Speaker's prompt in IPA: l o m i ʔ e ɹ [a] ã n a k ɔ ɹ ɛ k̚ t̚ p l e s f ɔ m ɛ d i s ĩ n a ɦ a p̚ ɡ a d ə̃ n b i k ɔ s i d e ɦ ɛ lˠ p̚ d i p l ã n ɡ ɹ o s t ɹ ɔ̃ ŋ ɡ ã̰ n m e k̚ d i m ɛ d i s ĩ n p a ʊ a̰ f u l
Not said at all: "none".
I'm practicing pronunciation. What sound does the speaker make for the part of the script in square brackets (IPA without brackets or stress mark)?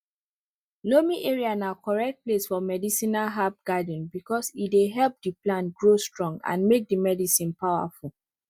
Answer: i